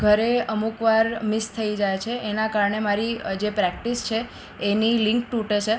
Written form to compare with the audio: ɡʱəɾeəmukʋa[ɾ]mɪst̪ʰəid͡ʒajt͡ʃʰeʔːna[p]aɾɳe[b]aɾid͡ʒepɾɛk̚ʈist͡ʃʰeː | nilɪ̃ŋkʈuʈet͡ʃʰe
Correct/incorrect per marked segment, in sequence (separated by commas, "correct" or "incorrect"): correct, incorrect, incorrect